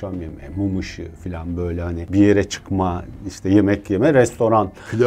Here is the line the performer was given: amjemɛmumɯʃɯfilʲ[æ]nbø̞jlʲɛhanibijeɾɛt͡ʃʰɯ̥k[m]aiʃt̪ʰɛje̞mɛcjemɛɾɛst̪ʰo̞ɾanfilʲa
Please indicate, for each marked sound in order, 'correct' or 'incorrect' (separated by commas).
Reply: incorrect, correct